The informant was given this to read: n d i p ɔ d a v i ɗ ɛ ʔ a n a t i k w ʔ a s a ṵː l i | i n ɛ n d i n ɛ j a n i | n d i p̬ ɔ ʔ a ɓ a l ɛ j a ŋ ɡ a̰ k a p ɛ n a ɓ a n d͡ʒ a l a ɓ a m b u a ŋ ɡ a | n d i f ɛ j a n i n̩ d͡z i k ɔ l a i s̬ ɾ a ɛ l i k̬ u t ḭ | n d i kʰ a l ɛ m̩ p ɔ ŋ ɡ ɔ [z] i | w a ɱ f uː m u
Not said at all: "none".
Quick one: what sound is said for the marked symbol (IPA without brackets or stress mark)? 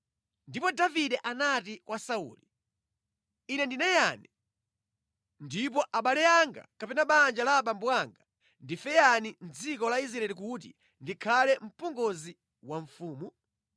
z